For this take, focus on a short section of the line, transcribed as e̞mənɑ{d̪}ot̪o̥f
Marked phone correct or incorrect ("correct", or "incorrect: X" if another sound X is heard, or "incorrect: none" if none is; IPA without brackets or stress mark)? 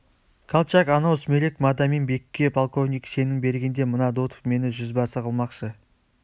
correct